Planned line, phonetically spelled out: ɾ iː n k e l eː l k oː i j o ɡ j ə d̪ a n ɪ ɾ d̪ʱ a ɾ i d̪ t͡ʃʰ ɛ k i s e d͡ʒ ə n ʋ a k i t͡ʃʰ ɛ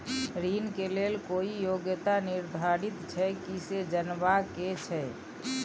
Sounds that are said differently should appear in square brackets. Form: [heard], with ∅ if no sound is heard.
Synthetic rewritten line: ɾ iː n k e l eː l k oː i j o ɡ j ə [t̪] a n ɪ ɾ d̪ʱ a ɾ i [t̪] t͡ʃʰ ɛ k i s e d͡ʒ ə n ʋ a k [e] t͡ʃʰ ɛ

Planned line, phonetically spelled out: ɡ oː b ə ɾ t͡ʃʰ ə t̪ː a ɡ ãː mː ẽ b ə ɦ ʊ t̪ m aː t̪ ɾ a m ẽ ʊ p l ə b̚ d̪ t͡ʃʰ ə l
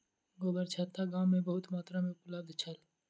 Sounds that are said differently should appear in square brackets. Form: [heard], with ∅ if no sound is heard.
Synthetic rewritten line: ɡ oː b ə ɾ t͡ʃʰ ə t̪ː a ɡ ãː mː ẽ b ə ɦ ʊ t̪ m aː t̪ ɾ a m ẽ ʊ p l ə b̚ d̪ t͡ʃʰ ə l

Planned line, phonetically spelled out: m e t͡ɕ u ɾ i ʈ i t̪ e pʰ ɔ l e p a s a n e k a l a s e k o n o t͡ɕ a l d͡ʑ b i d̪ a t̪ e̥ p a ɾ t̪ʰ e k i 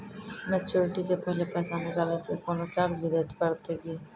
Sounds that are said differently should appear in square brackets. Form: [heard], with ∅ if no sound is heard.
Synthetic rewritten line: m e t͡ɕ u ɾ i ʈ i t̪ e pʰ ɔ l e p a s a n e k a l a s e k o n o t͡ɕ a [ɾ] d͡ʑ b i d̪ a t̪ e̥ p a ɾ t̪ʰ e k i

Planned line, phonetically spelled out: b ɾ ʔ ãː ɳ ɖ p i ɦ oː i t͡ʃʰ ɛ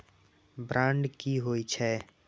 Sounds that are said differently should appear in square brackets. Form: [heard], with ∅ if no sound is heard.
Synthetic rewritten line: b ɾ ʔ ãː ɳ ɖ [k] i ɦ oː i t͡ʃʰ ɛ

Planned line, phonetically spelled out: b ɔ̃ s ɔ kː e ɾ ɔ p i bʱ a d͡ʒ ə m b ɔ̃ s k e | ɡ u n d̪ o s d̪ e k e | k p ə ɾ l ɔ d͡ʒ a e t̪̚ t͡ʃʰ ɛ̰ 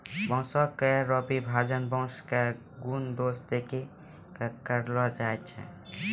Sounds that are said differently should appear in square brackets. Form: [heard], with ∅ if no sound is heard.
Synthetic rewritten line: b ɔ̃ s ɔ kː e ɾ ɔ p i bʱ a d͡ʒ ə [n] b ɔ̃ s k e | ɡ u n d̪ o s d̪ e k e | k [k] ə ɾ l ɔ d͡ʒ a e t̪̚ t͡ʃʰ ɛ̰

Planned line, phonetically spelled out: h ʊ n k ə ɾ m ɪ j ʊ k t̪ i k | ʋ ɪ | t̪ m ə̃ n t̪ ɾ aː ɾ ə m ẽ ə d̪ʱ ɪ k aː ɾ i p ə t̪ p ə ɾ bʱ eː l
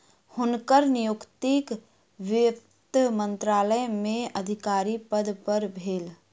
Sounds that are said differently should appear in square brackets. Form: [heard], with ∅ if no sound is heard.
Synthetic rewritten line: h ʊ n k ə ɾ [n] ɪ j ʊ k t̪ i k | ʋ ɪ | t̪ m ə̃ n t̪ ɾ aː [l] ə m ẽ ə d̪ʱ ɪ k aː ɾ i p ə [d̪] p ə ɾ bʱ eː l

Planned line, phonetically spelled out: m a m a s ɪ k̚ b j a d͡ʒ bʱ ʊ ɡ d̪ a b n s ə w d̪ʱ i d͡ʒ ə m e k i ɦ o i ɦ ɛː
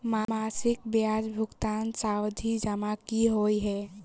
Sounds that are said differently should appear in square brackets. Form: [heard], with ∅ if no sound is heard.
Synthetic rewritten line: m a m a s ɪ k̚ b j a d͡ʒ bʱ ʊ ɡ [t̪] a [∅] n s [a] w d̪ʱ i d͡ʒ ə m [a] k i ɦ o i ɦ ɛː

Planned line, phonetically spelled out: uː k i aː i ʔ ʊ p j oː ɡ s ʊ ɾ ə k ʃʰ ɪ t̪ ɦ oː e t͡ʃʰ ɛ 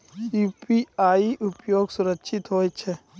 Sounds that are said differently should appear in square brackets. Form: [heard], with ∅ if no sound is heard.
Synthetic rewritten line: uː [p] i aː i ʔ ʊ p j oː ɡ s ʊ ɾ ə k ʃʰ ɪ t̪ ɦ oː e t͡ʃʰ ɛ

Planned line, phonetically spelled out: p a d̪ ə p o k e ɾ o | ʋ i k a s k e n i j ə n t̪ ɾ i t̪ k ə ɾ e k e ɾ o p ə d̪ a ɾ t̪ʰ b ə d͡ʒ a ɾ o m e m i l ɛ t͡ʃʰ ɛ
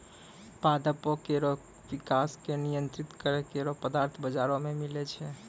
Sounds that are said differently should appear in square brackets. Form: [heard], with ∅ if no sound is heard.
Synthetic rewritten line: p a d̪ ə p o k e ɾ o | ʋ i k a s k e n i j ə n t̪ ɾ i t̪ k ə ɾ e k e ɾ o p ə d̪ a ɾ t̪ʰ b ə d͡ʒ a ɾ o m e m i l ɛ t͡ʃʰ ɛ

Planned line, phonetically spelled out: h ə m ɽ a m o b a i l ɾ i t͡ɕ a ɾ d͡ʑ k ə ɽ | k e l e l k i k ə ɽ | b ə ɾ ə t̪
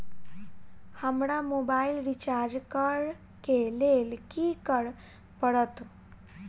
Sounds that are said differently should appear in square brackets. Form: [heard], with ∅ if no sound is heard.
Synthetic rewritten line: h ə m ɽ a m o b a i l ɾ i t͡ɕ a ɾ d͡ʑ k ə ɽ | k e l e l k i k ə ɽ | [p] ə [ɽ] ə t̪

